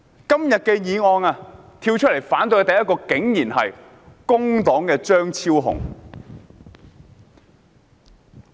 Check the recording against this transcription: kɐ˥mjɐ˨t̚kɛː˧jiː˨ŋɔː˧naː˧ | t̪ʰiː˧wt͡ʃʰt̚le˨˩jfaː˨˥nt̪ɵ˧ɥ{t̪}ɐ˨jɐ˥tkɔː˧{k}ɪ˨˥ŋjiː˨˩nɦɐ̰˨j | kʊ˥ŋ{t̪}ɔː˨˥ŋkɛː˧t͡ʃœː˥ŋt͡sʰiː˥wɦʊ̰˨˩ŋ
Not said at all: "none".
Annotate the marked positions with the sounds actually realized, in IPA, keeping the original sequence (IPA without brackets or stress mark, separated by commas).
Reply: t̪, k, t̪